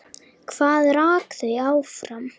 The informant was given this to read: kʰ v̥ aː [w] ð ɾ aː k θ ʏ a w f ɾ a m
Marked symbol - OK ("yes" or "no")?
no